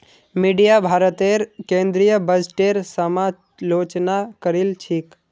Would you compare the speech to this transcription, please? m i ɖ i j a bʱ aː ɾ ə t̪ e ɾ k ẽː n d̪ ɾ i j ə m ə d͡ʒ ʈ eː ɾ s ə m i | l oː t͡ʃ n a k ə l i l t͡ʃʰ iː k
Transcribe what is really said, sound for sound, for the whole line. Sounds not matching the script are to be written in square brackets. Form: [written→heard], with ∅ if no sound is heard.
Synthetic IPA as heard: m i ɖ i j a bʱ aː ɾ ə t̪ e ɾ k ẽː n d̪ ɾ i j ə [m→b] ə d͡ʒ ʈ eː ɾ s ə m [i→a] | l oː t͡ʃ n a k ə [l→ɾ] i l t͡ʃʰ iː k